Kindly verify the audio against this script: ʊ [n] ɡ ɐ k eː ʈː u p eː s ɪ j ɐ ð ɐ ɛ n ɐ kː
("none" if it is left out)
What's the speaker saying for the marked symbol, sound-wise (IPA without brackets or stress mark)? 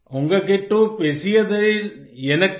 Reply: ŋ